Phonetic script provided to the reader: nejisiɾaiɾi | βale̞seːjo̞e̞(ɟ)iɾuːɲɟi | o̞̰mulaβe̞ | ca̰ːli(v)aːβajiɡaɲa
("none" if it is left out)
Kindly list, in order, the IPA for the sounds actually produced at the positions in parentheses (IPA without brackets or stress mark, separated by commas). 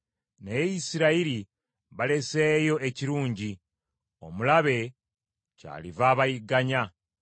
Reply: c, v